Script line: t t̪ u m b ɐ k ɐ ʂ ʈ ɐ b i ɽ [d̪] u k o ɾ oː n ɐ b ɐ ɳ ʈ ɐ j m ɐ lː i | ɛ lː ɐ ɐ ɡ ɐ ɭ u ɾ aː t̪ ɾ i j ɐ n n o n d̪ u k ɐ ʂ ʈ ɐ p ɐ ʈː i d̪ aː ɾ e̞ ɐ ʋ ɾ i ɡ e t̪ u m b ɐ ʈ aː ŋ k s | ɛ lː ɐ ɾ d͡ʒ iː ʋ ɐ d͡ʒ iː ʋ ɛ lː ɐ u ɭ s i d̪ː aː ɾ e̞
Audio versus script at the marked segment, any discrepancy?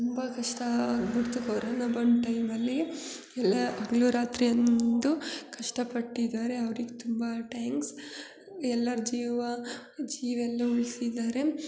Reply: yes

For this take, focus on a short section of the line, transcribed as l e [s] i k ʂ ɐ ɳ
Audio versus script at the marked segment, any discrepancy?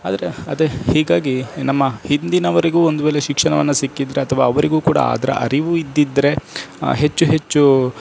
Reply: yes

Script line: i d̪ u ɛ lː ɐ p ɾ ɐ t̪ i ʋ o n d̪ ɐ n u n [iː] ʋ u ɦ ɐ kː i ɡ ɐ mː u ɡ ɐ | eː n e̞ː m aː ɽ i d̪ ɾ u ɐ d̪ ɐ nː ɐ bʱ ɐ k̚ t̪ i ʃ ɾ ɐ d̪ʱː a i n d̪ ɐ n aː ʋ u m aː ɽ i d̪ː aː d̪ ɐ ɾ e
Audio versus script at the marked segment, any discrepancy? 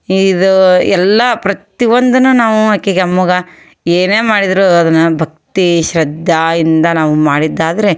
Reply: yes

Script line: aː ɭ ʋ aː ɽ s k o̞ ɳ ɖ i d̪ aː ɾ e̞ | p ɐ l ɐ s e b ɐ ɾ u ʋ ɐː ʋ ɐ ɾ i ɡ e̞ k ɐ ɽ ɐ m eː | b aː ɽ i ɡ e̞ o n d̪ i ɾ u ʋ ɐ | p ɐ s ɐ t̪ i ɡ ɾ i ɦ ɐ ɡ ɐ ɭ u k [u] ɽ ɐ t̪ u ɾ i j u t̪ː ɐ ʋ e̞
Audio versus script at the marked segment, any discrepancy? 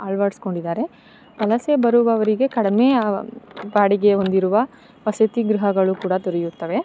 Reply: yes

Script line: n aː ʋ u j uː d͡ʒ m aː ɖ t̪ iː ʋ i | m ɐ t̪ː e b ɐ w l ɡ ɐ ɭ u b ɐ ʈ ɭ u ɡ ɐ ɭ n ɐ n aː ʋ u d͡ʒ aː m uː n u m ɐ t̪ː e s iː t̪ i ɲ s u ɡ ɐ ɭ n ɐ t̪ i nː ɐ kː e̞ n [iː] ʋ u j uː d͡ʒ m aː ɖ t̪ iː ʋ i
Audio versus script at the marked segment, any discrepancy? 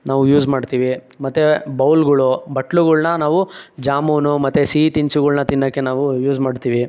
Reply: yes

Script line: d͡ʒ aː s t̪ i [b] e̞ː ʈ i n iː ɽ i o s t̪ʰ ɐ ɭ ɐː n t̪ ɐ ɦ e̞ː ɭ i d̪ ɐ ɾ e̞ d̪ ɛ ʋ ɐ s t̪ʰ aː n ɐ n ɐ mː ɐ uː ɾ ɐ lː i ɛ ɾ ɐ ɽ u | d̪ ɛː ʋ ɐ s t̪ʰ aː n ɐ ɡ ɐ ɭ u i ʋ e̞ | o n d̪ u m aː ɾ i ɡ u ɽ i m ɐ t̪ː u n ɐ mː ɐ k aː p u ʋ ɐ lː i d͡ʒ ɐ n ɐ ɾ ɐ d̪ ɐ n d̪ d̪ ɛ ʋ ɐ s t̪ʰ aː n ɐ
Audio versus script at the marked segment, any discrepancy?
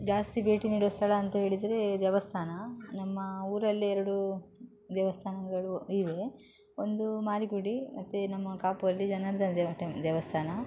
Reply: no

